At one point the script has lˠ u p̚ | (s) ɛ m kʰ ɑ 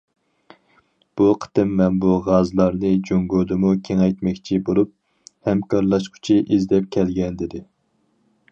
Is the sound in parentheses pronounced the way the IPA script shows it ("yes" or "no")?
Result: no